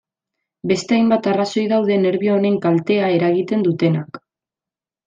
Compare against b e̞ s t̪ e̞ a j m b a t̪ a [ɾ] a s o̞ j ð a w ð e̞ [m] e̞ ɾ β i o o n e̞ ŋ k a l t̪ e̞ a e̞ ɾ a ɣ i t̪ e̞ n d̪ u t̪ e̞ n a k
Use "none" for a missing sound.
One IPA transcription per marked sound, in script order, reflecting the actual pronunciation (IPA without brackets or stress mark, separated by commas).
r, n